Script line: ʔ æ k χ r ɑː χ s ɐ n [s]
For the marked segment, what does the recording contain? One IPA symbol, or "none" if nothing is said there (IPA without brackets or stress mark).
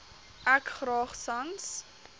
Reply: s